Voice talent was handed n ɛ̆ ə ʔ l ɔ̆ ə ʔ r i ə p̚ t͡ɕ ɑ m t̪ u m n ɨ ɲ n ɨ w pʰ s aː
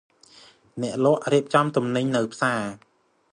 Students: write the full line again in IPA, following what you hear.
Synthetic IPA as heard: n ɛ̆ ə ʔ l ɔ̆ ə ʔ r i ə p̚ t͡ɕ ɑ m t̪ u m n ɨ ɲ n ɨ w pʰ s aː